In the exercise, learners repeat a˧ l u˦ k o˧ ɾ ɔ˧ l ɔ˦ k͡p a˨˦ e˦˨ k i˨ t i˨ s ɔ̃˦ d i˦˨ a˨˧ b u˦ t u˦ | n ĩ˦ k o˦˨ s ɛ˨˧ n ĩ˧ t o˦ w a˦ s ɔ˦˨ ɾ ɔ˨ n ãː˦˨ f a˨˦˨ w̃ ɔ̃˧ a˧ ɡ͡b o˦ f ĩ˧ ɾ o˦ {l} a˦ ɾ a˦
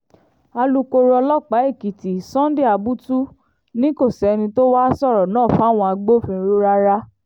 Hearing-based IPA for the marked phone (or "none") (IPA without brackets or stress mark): ɾ